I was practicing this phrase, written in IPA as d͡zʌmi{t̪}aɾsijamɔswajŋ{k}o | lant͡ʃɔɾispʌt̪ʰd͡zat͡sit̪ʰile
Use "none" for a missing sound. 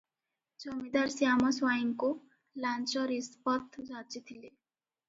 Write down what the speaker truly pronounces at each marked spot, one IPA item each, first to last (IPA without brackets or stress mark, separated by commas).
d̪, k